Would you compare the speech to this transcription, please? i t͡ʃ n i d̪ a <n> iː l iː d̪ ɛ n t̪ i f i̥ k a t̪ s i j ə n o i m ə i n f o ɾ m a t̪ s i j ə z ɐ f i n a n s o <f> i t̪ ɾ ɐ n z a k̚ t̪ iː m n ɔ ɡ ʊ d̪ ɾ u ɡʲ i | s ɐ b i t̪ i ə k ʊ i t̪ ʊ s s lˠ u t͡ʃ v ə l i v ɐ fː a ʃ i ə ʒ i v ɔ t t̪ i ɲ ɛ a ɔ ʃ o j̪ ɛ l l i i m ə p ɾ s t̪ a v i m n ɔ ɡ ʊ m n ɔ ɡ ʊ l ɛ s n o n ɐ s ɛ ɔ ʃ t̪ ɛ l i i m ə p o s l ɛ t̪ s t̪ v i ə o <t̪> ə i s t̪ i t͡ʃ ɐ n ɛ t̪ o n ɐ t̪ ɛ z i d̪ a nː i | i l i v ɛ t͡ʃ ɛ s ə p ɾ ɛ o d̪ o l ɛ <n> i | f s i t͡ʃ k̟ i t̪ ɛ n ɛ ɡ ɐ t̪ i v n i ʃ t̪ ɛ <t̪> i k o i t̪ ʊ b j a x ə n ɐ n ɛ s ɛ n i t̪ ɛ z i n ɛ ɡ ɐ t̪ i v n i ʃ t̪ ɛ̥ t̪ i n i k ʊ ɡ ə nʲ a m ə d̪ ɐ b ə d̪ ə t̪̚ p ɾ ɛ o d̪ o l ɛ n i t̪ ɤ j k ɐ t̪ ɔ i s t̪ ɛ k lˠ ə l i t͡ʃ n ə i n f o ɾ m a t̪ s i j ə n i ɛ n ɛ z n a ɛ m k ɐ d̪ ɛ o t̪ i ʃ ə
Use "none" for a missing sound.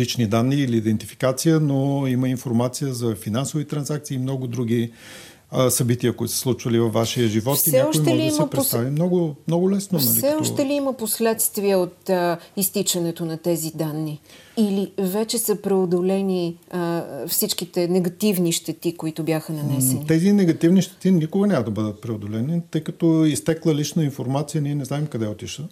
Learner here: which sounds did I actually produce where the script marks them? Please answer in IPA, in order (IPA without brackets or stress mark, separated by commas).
nː, v, t̪, n, t̪